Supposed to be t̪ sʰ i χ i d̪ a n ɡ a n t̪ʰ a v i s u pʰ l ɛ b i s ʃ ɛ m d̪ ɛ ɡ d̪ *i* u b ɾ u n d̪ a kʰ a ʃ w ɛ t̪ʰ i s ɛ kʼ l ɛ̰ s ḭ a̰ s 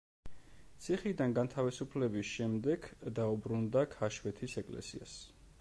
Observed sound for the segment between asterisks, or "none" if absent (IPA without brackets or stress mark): a